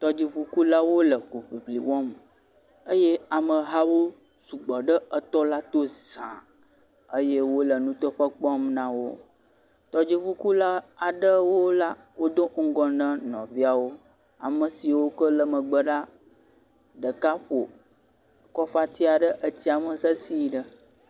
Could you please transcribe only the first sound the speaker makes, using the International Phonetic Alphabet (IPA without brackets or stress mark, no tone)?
t̪